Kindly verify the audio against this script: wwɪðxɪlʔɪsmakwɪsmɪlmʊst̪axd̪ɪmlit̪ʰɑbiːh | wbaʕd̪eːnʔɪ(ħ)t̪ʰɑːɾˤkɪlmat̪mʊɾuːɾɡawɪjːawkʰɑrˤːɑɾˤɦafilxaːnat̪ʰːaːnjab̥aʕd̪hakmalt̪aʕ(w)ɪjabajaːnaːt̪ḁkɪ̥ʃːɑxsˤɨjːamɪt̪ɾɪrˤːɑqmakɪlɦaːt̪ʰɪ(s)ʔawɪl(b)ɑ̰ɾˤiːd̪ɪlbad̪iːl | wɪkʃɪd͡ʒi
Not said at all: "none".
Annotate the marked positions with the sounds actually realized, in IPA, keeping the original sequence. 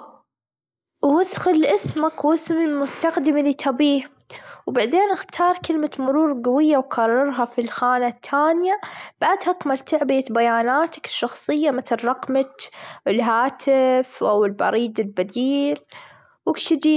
x, b, f, b

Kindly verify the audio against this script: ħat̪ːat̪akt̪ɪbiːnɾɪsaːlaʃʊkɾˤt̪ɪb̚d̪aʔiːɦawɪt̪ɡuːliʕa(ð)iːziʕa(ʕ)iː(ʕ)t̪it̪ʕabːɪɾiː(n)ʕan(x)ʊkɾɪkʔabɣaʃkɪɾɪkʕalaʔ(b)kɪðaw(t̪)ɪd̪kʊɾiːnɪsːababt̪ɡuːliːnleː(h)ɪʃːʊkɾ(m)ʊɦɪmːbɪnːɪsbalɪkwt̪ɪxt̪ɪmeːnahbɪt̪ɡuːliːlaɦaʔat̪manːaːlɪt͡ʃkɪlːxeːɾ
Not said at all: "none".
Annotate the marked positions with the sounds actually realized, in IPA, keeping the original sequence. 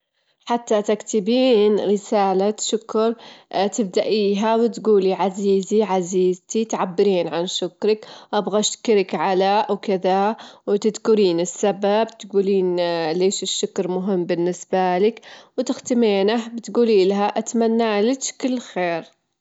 z, z, z, n, ʃ, w, t̪, ʃ, m

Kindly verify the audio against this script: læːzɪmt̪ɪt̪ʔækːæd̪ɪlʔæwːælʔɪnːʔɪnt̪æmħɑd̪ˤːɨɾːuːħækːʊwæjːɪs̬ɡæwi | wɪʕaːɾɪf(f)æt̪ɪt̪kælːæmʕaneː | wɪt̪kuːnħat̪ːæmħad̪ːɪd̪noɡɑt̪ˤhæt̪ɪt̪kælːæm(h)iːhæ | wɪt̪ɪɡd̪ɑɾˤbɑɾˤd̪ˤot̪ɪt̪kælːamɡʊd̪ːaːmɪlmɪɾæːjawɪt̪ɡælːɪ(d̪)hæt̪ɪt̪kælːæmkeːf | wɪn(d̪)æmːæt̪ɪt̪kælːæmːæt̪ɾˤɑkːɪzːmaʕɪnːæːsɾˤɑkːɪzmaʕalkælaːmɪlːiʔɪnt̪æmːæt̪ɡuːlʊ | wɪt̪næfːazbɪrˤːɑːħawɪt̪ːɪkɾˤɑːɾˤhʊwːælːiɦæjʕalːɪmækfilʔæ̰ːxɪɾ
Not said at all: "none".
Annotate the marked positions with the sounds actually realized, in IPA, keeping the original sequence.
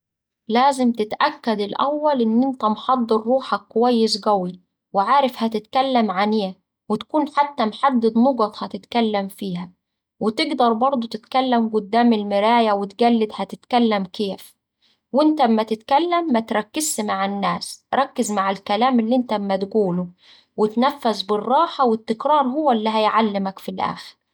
h, f, d̪, t̪

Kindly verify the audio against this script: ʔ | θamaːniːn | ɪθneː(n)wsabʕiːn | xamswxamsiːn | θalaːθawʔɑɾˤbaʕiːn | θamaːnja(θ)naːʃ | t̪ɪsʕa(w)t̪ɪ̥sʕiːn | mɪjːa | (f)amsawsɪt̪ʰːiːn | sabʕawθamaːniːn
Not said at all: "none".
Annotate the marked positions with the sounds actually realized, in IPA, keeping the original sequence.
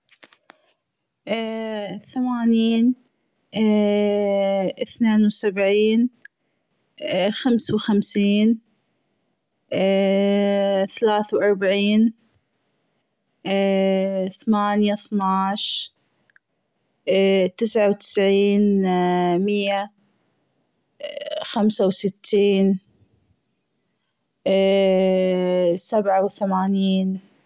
n, θ, w, x

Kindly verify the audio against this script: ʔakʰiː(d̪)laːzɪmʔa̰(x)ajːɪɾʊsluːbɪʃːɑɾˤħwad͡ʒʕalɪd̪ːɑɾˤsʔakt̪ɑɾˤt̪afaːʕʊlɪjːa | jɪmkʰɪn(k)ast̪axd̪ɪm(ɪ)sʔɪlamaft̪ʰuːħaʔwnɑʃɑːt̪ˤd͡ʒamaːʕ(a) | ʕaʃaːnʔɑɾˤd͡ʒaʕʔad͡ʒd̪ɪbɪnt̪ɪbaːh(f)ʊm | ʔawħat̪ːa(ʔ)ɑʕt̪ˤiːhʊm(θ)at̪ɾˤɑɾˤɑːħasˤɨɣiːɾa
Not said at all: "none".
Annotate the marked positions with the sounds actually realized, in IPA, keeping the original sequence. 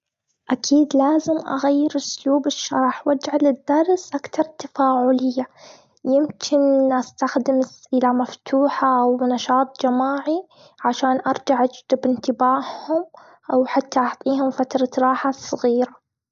d̪, ɣ, ʔ, ɪ, i, h, ʔ, f

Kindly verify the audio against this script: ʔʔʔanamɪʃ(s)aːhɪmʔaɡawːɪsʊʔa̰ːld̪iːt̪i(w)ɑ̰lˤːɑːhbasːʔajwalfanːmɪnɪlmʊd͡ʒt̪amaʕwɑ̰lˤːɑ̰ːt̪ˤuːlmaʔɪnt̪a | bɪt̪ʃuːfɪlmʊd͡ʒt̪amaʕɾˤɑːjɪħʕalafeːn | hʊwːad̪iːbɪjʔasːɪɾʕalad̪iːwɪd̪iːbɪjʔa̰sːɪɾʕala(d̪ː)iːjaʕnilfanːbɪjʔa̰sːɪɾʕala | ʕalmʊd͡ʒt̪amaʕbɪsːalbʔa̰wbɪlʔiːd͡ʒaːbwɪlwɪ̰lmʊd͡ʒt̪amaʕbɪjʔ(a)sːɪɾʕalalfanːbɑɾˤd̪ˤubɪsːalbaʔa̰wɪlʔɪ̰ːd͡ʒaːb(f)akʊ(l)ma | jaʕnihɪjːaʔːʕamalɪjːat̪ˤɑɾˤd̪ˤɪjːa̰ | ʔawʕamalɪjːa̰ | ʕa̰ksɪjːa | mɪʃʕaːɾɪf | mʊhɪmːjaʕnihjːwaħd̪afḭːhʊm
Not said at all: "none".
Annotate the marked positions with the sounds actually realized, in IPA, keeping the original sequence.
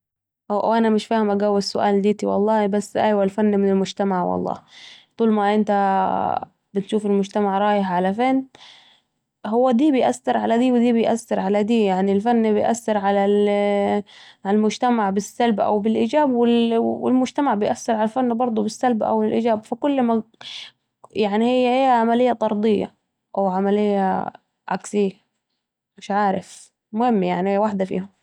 f, w, d̪, a, f, lː

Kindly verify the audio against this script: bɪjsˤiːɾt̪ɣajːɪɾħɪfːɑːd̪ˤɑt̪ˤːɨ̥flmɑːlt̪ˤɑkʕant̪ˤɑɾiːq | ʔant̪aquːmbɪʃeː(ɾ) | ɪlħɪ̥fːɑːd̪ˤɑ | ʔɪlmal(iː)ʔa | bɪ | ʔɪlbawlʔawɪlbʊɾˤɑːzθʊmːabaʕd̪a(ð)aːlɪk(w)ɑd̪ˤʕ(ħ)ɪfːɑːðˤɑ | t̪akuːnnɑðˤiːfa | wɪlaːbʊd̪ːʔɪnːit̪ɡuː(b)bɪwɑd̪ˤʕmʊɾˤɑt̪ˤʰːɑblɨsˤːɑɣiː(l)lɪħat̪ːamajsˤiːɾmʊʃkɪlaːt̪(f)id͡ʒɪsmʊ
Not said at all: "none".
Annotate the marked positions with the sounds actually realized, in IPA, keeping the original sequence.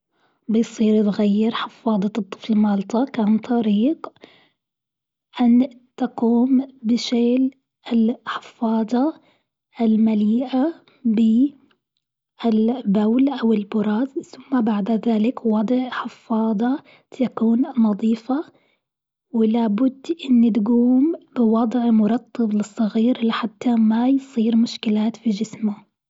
l, iː, ð, w, ħ, m, ɾ, f

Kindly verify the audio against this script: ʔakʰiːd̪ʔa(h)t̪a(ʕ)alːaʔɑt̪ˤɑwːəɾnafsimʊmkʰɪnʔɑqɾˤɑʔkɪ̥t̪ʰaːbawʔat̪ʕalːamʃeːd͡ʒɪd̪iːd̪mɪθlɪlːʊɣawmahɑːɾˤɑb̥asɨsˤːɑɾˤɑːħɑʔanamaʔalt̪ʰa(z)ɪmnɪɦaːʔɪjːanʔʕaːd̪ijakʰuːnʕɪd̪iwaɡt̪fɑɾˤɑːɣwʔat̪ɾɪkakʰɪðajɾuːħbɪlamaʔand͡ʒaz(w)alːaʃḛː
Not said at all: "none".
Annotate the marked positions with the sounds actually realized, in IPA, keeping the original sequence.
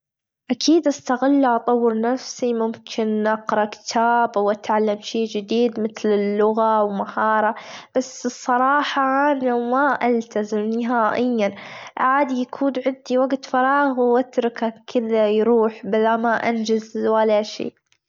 s, ɣ, z, w

